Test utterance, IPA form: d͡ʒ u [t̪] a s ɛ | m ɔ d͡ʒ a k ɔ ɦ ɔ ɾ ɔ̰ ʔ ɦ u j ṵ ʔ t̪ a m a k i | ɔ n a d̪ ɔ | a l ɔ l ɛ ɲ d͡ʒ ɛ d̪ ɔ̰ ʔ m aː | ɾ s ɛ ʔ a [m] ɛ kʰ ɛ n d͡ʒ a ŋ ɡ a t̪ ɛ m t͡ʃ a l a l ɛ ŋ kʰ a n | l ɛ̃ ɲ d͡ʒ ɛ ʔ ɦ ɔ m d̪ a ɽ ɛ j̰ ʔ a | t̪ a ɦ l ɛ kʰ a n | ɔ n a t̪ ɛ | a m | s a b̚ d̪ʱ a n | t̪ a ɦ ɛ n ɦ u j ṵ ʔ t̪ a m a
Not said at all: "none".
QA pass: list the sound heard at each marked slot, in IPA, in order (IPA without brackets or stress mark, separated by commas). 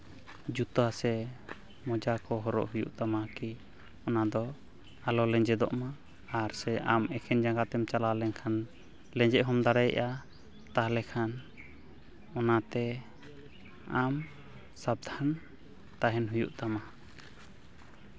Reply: t̪, m